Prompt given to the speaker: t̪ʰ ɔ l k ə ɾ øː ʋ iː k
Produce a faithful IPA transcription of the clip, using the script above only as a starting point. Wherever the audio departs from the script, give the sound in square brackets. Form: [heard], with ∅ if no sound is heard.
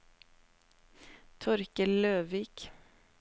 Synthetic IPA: t̪ʰ ɔ [ɾ] k ə [l] øː ʋ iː k